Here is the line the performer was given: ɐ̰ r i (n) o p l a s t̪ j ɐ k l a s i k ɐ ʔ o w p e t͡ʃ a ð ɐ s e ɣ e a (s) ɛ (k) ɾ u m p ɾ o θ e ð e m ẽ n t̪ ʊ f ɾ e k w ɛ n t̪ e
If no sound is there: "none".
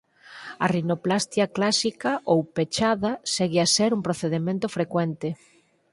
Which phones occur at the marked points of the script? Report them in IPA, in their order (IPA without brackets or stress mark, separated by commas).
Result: n, s, none